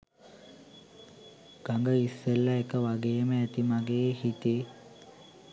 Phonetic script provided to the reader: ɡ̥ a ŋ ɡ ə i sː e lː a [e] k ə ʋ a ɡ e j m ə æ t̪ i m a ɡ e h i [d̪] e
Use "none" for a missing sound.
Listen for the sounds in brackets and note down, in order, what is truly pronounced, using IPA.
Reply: e, t̪

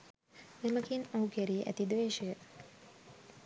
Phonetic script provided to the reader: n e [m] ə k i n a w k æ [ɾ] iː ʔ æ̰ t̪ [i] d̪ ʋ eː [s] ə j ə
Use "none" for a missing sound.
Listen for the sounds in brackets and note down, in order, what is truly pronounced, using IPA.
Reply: m, ɾ, i, ʃ

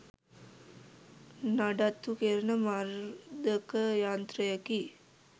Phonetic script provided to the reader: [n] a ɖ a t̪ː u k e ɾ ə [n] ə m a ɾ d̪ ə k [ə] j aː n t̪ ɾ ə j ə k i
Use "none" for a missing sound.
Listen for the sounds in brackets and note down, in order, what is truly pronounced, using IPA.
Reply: n, n, ə

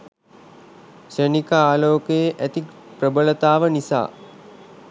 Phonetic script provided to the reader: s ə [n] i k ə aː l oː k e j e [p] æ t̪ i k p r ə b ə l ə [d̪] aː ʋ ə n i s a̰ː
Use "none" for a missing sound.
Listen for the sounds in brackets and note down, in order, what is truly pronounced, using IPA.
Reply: n, ʔ, t̪

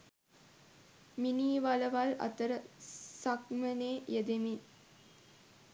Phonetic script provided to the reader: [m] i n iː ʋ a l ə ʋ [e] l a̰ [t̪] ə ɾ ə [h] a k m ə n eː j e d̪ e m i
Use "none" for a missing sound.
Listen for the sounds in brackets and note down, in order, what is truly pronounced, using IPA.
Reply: m, a, t̪, s

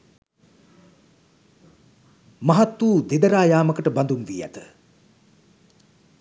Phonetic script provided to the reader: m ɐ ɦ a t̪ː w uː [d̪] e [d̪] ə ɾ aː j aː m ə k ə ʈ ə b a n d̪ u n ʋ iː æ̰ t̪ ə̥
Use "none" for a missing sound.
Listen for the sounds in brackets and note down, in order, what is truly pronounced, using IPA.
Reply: d̪, d̪

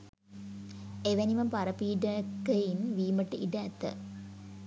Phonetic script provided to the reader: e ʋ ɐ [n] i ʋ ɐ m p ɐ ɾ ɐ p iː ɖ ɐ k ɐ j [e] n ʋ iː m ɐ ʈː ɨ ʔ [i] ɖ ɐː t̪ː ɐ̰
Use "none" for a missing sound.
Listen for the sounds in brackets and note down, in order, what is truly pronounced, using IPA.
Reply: n, i, i

